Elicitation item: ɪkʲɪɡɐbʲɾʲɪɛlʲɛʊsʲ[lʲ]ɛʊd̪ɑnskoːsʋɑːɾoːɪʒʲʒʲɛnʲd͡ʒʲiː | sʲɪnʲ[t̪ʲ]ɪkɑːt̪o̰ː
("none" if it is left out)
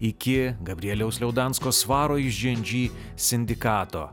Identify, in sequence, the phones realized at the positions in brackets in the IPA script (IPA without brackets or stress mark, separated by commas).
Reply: lʲ, d̪ʲ